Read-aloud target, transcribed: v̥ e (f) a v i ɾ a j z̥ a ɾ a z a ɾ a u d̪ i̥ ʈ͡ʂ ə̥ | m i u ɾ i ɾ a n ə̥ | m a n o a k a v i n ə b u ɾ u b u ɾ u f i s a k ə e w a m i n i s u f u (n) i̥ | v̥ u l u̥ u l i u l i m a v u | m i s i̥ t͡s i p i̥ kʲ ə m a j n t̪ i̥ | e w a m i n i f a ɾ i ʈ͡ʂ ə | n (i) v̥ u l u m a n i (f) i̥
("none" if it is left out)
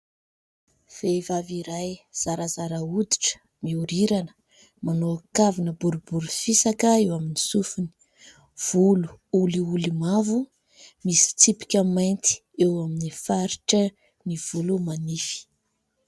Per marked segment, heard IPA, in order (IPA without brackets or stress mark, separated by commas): v, n, i, f